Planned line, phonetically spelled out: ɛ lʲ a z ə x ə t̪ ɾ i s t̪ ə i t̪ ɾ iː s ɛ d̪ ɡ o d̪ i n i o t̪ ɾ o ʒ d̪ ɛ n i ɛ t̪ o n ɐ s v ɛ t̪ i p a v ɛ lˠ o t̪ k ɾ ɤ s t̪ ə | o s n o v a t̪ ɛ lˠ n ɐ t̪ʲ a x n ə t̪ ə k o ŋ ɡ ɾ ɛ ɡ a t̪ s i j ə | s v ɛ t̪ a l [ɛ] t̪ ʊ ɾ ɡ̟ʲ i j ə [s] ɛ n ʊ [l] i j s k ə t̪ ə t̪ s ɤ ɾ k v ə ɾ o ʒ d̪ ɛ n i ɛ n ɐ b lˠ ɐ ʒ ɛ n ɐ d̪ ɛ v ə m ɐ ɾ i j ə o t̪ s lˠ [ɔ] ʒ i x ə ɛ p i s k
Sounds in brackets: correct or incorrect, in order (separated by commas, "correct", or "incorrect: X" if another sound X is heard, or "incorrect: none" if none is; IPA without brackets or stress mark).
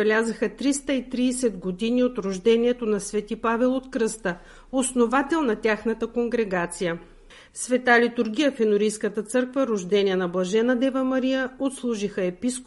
incorrect: i, incorrect: f, incorrect: ɾ, incorrect: u